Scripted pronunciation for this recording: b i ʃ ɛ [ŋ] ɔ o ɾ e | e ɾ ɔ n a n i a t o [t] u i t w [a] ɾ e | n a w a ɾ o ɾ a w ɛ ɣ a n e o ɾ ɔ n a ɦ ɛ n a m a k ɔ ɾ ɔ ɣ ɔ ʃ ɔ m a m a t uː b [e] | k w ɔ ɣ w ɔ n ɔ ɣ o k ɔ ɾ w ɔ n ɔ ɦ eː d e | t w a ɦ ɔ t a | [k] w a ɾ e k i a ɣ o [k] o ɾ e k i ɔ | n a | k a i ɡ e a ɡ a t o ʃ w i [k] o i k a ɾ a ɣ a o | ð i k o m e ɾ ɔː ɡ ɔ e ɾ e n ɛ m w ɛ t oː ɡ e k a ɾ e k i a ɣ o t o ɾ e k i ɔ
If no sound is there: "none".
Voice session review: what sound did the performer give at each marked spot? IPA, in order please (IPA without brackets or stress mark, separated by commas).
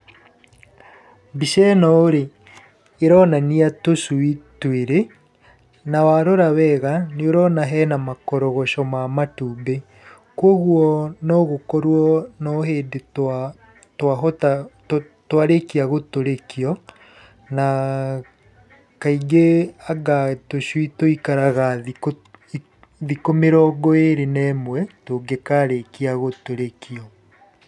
n, s, e, e, t, t, t